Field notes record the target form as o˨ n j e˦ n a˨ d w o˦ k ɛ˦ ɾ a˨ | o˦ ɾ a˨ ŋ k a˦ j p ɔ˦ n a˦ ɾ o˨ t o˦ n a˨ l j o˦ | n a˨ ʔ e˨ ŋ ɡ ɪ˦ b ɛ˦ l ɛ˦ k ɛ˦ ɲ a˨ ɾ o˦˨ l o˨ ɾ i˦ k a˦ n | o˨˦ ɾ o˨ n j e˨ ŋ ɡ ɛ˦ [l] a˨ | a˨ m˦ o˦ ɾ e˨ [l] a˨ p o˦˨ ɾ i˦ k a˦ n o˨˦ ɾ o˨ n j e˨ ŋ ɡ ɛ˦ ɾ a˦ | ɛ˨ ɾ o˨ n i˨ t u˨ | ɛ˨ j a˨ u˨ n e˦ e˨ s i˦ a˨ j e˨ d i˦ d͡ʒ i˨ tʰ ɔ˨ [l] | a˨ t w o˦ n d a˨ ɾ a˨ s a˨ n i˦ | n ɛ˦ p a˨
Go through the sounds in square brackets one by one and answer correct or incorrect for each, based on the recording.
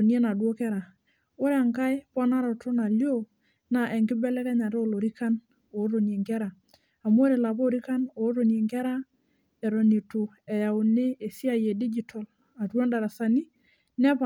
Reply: incorrect: ɾ, correct, correct

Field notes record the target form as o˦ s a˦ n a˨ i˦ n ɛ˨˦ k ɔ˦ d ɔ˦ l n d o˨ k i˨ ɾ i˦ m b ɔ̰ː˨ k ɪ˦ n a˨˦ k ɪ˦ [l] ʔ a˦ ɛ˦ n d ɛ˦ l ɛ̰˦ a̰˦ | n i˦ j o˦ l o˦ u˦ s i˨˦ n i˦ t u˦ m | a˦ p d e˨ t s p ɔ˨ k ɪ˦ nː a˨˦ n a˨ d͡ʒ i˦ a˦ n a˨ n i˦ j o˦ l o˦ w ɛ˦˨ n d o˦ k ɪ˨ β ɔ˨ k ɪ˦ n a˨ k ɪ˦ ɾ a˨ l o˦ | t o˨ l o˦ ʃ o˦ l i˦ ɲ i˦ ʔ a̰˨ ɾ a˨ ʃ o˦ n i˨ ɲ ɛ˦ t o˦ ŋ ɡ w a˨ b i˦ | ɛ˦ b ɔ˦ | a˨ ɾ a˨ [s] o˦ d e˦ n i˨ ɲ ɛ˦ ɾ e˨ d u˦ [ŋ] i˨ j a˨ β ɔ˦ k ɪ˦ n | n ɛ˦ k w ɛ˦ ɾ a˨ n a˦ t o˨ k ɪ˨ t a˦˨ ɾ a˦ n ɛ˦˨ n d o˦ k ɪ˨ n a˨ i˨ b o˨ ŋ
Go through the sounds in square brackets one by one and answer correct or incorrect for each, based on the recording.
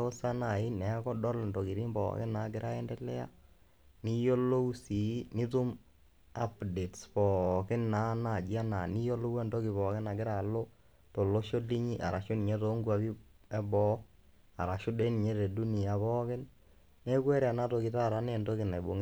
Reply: incorrect: ɾ, incorrect: ʃ, incorrect: n

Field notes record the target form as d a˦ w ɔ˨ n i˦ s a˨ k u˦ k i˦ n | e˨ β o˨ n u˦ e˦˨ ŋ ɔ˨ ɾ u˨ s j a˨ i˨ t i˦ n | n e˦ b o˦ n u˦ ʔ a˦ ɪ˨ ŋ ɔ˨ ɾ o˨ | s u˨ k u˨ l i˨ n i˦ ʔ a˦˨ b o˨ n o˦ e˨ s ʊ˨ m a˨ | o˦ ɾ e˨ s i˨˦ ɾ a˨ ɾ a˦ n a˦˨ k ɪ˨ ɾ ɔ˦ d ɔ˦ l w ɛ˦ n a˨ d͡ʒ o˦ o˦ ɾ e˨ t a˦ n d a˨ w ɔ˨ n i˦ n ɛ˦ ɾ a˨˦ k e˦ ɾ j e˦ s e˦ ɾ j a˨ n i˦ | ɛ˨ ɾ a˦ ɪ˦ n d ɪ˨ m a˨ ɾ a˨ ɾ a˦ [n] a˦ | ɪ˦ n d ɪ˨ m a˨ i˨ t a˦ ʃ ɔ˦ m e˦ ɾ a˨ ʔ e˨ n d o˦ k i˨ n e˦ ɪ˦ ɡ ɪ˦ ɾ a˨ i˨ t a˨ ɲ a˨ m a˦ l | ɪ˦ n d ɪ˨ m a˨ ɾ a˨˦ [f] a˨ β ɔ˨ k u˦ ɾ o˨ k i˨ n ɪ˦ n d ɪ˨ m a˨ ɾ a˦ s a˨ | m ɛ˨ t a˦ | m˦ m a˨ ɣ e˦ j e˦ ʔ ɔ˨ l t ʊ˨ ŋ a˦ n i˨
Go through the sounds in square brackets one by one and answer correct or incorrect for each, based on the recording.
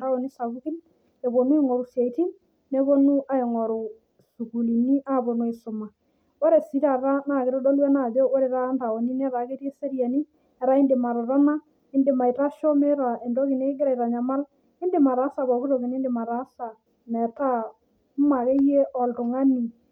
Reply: correct, incorrect: s

